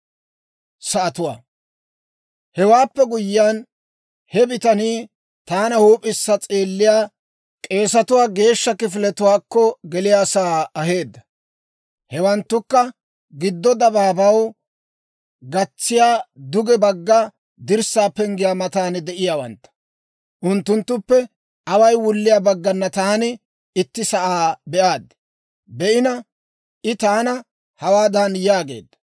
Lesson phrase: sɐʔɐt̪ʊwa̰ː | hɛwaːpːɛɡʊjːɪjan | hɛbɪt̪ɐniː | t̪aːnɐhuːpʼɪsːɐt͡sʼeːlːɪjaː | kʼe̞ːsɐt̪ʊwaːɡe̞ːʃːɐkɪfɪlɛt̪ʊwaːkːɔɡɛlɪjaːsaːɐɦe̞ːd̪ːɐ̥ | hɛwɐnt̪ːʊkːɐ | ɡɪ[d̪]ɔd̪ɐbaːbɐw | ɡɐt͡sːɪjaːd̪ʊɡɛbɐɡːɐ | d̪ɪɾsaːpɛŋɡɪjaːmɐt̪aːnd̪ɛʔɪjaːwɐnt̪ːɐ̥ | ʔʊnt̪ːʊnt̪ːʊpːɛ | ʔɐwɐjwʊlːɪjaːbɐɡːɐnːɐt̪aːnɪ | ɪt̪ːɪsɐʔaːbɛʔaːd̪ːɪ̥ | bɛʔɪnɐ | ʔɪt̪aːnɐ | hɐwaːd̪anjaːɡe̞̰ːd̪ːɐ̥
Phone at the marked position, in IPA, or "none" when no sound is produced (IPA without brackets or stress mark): d̪ː